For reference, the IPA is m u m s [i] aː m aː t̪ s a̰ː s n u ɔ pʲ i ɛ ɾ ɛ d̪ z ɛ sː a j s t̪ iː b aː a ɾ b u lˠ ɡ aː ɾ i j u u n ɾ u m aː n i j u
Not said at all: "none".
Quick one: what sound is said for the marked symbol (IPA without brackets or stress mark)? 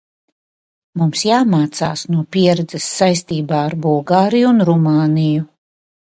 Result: j